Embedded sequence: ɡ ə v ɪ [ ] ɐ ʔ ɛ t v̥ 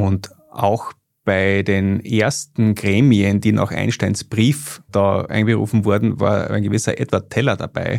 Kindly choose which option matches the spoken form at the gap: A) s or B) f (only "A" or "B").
A